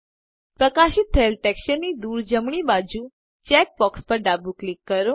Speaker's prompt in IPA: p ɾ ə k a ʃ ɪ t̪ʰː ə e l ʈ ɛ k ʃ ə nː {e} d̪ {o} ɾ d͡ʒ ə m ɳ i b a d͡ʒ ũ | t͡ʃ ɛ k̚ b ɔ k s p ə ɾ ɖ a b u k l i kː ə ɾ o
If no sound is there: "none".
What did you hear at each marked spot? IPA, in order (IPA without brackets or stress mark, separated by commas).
i, u